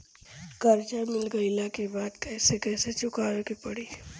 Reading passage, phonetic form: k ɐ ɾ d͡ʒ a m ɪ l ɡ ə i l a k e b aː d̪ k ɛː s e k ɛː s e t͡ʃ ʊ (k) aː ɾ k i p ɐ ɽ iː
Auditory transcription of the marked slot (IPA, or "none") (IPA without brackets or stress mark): k